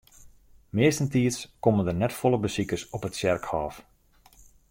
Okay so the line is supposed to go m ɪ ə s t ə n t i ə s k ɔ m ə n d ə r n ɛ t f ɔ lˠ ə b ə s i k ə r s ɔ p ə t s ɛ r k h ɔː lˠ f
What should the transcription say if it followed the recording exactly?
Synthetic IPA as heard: m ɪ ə s t ə n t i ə s k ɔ m ə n d ə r n ɛ t f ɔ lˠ ə b ə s i k ə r s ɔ p ə t s ɛ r k h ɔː f